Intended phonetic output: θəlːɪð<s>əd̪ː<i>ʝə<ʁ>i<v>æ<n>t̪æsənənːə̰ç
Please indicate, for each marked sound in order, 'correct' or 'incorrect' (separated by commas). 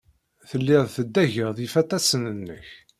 incorrect, incorrect, incorrect, incorrect, incorrect